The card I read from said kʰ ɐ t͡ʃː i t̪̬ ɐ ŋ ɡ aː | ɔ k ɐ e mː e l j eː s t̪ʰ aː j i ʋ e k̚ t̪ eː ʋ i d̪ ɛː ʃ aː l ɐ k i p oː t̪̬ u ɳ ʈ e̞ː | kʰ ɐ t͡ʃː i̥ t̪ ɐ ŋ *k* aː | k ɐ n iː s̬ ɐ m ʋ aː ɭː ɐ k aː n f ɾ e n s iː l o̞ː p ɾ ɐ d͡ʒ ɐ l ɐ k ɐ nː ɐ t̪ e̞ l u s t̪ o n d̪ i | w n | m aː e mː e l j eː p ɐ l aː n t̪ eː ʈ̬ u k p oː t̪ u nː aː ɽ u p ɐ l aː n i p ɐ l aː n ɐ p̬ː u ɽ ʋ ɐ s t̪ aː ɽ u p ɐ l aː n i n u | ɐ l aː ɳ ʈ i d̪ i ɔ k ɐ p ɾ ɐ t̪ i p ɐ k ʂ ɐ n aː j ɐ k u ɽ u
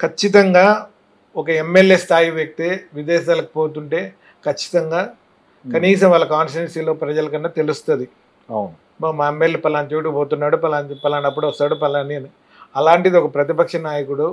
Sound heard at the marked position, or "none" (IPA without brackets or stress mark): ɡ